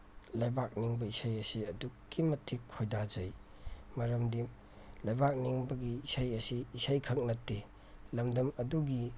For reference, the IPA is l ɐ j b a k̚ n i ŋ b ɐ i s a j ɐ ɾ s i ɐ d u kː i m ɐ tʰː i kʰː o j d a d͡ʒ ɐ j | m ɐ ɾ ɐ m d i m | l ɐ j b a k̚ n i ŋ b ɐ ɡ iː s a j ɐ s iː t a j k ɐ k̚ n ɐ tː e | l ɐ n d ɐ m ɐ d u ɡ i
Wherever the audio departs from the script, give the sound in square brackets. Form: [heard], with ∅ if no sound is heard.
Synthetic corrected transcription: l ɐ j b a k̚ n i ŋ b ɐ i s a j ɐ [∅] s i ɐ d u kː i m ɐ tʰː i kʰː o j d a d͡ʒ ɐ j | m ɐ ɾ ɐ m d i m | l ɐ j b a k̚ n i ŋ b ɐ ɡ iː s a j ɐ s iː [s] a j [kʰ] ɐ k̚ n ɐ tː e | l ɐ [m] d ɐ m ɐ d u ɡ i